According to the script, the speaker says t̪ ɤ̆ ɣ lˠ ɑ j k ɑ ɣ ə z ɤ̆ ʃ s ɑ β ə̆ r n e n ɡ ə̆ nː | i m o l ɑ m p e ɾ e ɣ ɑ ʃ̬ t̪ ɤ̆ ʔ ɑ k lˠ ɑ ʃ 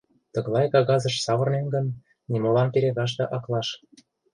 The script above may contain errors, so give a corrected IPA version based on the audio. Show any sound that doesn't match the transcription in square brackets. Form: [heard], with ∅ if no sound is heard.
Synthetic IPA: t̪ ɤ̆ ɣ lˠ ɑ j k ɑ ɣ [ɑ] z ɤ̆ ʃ s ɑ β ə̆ r n e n ɡ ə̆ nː | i m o l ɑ m p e ɾ e ɣ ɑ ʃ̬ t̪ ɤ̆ ʔ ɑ k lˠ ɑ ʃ